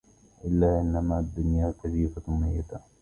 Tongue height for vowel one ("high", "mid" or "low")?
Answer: high